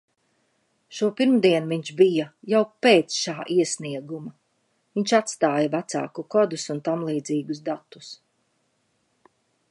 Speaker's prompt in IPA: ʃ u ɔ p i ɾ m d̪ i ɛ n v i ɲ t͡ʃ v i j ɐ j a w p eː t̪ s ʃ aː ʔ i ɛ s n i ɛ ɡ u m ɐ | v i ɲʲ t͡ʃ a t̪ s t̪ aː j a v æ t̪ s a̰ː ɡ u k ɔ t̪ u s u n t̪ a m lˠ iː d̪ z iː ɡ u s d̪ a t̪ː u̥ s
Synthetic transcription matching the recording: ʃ u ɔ p i ɾ m d̪ i ɛ n v i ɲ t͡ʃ b i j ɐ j a w p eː t̪ s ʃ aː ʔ i ɛ s n i ɛ ɡ u m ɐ | v i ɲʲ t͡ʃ a t̪ s t̪ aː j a v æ t̪ s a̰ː k u k ɔ d̪ u s u n t̪ a m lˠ iː d̪ z iː ɡ u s d̪ a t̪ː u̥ s